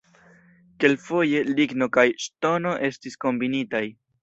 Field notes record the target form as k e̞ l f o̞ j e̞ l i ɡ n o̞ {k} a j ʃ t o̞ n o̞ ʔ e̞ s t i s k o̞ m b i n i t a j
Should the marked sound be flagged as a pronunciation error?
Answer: no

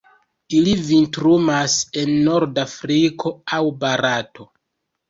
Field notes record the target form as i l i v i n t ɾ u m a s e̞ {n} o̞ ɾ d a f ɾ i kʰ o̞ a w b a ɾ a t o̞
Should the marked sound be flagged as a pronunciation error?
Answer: yes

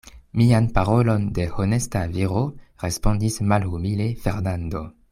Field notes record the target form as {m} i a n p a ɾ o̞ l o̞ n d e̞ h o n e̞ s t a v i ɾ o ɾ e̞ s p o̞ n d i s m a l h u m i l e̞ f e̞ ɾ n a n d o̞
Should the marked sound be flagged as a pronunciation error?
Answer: no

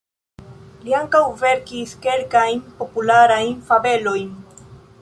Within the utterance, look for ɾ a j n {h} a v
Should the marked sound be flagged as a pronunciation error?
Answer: yes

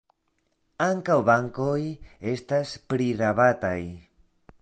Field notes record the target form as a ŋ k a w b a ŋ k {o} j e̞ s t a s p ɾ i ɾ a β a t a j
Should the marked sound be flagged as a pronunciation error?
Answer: no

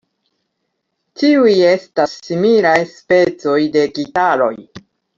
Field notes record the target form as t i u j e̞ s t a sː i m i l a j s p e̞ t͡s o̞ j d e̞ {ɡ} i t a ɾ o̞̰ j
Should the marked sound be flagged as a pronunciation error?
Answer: no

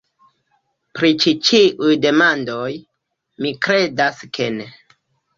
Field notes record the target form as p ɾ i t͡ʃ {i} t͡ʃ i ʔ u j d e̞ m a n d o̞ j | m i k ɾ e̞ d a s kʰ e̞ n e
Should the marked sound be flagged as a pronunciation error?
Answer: no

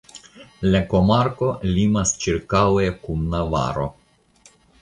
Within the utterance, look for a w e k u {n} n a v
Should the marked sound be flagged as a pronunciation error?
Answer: yes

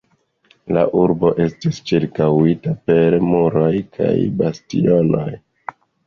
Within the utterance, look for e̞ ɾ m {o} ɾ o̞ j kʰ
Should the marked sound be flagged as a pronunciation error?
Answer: yes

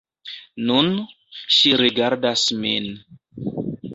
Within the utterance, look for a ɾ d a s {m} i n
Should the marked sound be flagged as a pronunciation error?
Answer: no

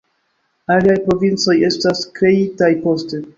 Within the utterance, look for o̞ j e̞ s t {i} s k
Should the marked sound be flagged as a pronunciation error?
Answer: yes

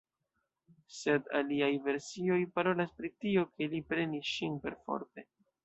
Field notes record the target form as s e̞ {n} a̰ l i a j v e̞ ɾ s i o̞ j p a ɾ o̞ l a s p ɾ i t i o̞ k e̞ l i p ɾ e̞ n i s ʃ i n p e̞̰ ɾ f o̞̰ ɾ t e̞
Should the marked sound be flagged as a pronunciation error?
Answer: yes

